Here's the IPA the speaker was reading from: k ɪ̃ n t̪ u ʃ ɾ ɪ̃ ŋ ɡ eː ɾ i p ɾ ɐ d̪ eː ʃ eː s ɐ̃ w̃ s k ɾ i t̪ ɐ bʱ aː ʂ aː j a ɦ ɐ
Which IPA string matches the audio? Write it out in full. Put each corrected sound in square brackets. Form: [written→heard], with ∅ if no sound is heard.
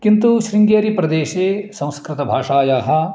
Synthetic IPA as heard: k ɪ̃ n t̪ u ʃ ɾ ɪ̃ ŋ ɡ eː ɾ i p ɾ ɐ d̪ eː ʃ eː s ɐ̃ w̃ s k ɾ [i→ɪ] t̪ ɐ bʱ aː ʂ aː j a ɦ ɐ